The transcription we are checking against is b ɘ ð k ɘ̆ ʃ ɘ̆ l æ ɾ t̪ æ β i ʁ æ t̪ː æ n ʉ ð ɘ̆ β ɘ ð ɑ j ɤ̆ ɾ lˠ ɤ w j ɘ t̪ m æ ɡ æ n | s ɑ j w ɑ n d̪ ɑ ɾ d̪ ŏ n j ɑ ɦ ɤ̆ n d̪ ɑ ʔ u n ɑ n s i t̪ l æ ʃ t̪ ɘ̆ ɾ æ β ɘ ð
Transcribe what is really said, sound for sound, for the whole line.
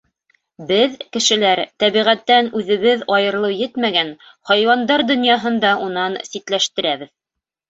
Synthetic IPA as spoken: b ɘ ð k ɘ̆ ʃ ɘ̆ l æ ɾ t̪ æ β i ʁ æ t̪ː æ n ʉ ð ɘ̆ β ɘ ð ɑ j ɤ̆ ɾ lˠ ɤ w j ɘ t̪ m æ ɡ æ n | h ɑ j w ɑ n d̪ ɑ ɾ d̪ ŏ n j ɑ ɦ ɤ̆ n d̪ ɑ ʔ u n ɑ n s i t̪ l æ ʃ t̪ ɘ̆ ɾ æ β ɘ ð